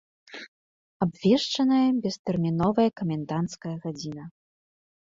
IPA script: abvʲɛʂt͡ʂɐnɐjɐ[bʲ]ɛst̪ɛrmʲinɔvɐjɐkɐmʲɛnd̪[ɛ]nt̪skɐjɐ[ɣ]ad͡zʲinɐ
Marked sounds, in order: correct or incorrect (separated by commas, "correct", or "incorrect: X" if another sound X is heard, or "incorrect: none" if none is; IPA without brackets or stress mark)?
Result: correct, incorrect: a, correct